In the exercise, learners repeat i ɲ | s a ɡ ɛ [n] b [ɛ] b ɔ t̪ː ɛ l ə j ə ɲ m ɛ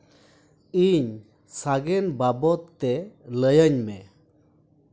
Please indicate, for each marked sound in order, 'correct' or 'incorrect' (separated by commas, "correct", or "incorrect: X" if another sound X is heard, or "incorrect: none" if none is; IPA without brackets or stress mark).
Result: correct, incorrect: a